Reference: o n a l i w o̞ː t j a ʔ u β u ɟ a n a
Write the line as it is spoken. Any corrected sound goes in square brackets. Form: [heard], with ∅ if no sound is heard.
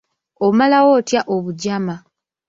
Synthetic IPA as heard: o [m] a l [a] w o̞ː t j a ʔ [o] β u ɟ a [m] a